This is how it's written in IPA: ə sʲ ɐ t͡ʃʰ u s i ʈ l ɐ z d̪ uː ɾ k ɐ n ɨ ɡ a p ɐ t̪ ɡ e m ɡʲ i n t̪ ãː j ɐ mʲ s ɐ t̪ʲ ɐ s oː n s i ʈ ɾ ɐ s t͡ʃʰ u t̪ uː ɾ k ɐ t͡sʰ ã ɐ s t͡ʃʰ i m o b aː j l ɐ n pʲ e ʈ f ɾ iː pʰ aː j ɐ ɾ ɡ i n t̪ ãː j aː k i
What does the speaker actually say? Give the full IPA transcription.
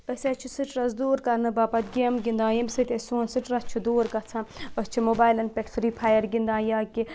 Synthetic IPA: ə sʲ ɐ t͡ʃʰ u s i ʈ ɾ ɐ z d̪ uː ɾ k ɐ n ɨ b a p ɐ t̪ ɡ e m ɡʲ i n d̪ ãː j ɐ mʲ s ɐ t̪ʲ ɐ s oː n s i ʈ ɾ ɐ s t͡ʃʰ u d̪ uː ɾ k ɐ t͡sʰ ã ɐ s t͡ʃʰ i m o b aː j l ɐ n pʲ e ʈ f ɾ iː pʰ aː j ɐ ɾ ɡ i n d̪ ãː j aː k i

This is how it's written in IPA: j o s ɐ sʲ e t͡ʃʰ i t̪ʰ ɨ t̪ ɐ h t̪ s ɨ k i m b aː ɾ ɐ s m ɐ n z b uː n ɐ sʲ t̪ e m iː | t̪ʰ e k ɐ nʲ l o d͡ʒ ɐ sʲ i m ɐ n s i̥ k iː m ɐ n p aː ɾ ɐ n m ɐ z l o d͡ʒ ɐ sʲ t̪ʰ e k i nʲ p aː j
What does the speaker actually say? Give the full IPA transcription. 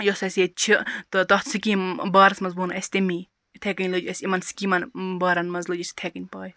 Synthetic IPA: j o s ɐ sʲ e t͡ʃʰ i t̪ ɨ t̪ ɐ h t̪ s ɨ k i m b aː ɾ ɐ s m ɐ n z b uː n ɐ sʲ t̪ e m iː | t̪ʰ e k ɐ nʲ l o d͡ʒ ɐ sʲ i m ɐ n s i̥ k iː m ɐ n b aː ɾ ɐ n m ɐ z l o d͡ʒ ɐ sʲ t̪ʰ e k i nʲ p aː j

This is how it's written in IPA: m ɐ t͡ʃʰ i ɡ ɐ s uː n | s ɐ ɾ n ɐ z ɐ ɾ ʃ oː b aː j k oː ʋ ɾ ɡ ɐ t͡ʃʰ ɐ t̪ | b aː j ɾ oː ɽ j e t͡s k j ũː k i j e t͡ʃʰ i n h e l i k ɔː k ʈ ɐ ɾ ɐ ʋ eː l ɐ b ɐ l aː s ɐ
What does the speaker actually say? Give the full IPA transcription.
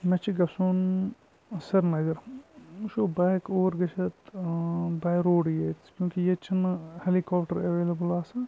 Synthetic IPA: m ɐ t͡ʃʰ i ɡ ɐ s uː n | s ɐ ɾ n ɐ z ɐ ɾ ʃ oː b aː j k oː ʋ ɾ ɡ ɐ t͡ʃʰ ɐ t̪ | b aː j ɾ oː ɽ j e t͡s k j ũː k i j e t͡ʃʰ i n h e l i k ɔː p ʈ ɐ ɾ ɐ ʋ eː l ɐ b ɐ l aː s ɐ

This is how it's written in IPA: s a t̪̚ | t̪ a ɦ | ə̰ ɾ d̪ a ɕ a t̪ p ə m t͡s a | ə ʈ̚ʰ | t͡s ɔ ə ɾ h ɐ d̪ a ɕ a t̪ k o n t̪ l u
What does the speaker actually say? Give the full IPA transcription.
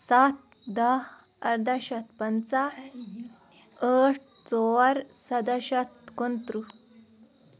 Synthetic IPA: s a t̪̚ | d̪ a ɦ | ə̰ ɾ d̪ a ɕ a t̪ p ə n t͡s a | ə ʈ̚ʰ | t͡s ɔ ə ɾ s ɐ d̪ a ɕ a t̪ k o n t̪ ɾ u

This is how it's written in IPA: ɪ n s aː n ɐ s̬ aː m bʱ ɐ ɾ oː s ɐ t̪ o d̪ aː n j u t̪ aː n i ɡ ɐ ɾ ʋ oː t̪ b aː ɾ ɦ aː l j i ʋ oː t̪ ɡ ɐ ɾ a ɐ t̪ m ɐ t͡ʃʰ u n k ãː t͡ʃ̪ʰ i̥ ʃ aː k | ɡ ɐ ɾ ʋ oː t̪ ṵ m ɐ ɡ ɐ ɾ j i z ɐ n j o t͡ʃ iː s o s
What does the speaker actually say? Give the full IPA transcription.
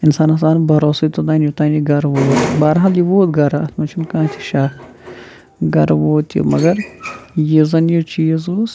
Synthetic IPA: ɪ n s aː n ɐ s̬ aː n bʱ ɐ ɾ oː s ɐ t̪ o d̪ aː n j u t̪ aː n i ɡ ɐ ɾ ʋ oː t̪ b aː ɾ ɦ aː l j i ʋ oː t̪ ɡ ɐ ɾ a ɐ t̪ m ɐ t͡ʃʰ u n k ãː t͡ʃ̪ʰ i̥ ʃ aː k | ɡ ɐ ɾ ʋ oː t̪ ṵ m ɐ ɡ ɐ ɾ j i z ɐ n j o t͡ʃ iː z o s

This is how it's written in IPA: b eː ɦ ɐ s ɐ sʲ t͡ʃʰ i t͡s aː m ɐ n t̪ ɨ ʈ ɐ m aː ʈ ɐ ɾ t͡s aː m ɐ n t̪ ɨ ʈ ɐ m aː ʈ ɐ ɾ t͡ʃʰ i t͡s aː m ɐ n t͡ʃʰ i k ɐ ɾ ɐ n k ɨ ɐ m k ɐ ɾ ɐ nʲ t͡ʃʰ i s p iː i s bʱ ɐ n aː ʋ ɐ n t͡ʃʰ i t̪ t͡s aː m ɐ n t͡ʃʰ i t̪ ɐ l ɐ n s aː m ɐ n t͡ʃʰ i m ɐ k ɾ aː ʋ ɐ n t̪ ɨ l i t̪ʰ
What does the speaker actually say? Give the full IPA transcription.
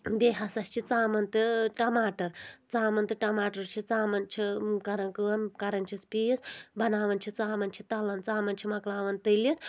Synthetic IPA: b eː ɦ ɐ s ɐ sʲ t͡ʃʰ i t͡s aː m ɐ n t̪ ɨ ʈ ɐ m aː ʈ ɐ ɾ t͡s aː m ɐ n t̪ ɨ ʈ ɐ m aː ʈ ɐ ɾ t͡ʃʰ i t͡s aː m ɐ n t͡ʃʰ i k ɐ ɾ ɐ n k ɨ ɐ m k ɐ ɾ ɐ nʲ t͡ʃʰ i s p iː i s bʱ ɐ n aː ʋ ɐ n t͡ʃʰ i t͡s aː m ɐ n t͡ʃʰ i t̪ ɐ l ɐ n t͡s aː m ɐ n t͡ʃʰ i m ɐ k l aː ʋ ɐ n t̪ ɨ l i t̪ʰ

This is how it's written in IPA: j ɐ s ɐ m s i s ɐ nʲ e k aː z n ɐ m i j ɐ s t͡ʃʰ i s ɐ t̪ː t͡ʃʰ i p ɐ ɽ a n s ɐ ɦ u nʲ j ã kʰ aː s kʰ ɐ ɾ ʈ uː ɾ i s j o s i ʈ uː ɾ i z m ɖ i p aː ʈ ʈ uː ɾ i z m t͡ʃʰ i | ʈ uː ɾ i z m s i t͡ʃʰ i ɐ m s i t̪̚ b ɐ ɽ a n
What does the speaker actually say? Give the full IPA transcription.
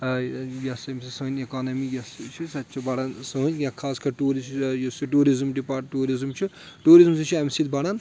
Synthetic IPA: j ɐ s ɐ m s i s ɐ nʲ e k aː n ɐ m i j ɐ s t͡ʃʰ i s ɐ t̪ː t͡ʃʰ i b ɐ ɽ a n s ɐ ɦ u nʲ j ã kʰ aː s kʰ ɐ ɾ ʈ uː ɾ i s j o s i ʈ uː ɾ i z m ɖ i p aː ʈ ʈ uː ɾ i z m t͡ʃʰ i | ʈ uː ɾ i z m s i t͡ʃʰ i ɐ m s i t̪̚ b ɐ ɽ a n

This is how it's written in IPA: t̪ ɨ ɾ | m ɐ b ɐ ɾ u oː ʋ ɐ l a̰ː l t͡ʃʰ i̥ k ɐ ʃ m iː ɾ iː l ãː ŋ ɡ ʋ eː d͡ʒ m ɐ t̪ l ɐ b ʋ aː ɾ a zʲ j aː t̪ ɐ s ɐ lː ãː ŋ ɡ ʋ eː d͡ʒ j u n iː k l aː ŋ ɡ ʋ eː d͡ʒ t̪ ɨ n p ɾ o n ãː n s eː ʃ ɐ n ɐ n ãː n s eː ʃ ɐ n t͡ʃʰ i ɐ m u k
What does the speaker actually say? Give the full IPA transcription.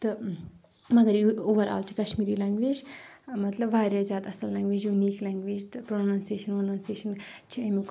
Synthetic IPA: t̪ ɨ | m ɐ ɡ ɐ ɾ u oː ʋ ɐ ɾ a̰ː l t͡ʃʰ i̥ k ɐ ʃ m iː ɾ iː l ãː ŋ ɡ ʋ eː d͡ʒ m ɐ t̪ l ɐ b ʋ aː ɾ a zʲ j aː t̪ ɐ s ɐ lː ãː ŋ ɡ ʋ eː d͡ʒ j u n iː k l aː ŋ ɡ ʋ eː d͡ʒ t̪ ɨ p ɾ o n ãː n s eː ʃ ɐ n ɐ n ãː n s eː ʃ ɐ n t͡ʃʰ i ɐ m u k

